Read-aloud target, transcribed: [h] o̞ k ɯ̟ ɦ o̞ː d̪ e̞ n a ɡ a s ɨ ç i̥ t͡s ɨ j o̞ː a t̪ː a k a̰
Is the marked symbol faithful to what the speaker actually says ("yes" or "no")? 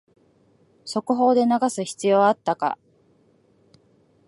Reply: no